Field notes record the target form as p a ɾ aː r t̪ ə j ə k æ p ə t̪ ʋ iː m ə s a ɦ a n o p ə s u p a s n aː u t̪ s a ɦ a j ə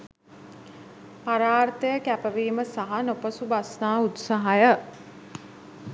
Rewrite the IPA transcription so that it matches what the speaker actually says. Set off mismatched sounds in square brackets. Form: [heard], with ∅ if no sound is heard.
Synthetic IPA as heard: p a ɾ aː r t̪ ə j ə k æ p ə [∅] ʋ iː m ə s a ɦ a n o p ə s u [b] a s n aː u t̪ s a ɦ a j ə